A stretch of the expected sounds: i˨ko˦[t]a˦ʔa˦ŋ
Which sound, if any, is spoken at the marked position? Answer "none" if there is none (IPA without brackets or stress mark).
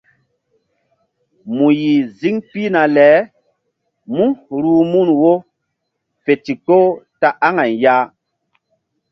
t